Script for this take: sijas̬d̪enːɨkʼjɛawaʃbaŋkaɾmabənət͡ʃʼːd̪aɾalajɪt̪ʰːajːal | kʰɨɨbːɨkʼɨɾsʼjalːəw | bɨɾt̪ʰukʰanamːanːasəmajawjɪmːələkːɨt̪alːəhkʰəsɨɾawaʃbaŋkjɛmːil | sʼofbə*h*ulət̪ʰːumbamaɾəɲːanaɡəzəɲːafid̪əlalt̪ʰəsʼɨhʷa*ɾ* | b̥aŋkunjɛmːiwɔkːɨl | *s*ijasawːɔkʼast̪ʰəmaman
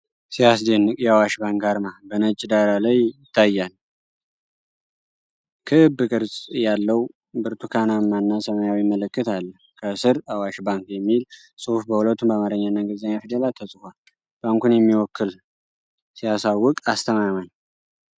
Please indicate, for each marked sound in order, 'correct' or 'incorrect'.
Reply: correct, incorrect, correct

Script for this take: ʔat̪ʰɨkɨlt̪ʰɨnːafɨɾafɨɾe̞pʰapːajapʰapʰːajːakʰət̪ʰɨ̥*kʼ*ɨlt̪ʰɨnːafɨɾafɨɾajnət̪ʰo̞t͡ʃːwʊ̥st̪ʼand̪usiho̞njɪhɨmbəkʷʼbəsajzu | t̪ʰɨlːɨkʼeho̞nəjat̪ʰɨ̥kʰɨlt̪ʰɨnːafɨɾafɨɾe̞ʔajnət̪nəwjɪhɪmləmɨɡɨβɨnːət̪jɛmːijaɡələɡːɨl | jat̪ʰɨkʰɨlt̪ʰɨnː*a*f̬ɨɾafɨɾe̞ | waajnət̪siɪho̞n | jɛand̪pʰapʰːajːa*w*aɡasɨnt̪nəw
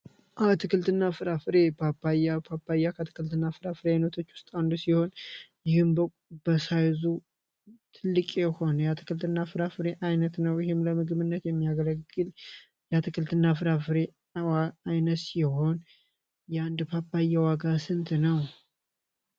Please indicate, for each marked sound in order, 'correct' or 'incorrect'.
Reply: incorrect, correct, correct

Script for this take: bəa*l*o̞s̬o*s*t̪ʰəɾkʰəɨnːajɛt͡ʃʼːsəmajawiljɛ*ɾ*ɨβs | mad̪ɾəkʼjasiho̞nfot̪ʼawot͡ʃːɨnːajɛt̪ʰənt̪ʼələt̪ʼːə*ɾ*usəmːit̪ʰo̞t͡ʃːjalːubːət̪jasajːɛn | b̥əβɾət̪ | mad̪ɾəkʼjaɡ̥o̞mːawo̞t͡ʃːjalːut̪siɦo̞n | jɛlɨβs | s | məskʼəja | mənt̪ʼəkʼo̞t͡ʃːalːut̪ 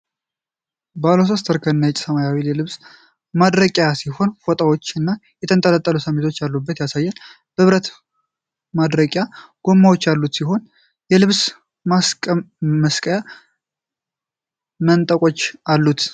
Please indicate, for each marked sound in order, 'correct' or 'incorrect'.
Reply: correct, correct, incorrect, incorrect

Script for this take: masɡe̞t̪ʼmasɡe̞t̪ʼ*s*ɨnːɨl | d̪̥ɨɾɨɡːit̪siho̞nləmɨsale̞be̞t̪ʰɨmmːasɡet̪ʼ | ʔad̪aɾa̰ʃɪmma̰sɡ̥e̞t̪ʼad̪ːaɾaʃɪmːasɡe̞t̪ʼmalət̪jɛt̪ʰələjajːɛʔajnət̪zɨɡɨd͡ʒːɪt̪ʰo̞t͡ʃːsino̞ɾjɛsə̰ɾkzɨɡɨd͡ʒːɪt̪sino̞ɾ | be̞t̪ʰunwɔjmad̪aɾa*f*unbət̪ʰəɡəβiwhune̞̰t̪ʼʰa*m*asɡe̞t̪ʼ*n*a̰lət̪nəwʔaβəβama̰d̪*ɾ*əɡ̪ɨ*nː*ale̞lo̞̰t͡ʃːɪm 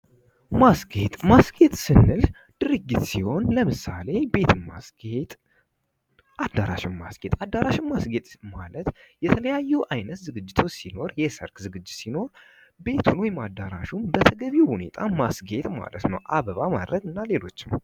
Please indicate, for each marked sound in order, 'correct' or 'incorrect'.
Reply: correct, incorrect, correct, incorrect, correct, correct

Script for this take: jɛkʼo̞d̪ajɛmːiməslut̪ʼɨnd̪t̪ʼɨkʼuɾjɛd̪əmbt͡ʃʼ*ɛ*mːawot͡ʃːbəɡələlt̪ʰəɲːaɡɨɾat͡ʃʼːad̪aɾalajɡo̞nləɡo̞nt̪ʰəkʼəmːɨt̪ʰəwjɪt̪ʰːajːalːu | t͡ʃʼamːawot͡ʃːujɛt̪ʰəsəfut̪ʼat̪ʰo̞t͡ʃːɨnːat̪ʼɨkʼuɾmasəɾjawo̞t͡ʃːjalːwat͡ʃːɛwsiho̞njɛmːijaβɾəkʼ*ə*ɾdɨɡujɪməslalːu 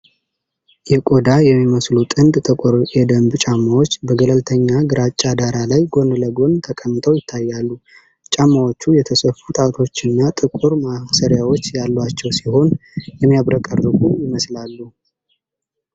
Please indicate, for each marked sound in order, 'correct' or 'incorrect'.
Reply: incorrect, correct

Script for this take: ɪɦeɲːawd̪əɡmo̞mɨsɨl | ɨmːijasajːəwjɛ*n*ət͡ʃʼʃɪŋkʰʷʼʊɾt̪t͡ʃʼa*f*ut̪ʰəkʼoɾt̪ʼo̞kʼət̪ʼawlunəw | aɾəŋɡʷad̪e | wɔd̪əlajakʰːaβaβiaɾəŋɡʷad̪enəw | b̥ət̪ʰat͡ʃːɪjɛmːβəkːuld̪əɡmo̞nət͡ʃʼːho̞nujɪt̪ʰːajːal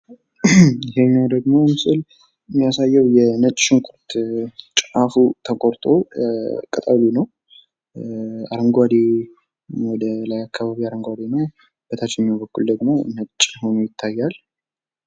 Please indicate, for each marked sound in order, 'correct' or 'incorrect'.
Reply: correct, correct

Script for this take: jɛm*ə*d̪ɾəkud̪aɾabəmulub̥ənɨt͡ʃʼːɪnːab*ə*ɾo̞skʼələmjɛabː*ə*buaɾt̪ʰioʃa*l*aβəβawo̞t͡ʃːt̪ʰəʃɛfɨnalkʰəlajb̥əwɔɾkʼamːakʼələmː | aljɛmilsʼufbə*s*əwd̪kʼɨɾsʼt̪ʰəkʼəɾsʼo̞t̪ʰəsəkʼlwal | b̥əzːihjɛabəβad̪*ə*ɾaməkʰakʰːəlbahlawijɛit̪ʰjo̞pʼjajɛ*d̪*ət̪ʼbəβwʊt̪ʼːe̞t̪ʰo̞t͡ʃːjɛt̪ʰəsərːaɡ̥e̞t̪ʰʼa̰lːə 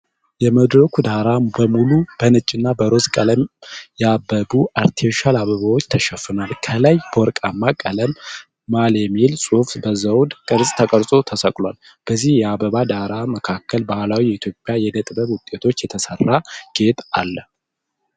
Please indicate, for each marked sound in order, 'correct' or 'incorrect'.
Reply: correct, correct, correct, correct, incorrect, incorrect, correct

